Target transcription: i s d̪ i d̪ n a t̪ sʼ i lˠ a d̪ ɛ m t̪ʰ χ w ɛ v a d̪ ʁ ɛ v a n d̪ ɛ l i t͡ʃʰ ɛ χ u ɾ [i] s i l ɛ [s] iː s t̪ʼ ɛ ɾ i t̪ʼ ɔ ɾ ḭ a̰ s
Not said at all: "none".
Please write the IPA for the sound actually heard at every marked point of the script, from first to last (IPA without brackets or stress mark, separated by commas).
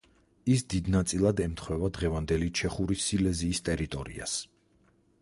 i, z